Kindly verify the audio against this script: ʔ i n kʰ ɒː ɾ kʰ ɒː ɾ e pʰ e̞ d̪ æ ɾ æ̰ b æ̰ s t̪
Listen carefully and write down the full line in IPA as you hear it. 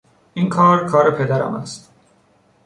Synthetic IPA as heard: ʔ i n kʰ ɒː ɾ kʰ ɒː ɾ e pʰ e̞ d̪ æ ɾ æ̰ m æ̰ s t̪